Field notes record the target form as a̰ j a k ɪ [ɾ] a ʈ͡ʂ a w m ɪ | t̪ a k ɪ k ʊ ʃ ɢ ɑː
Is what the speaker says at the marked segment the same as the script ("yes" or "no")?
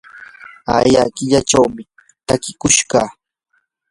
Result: no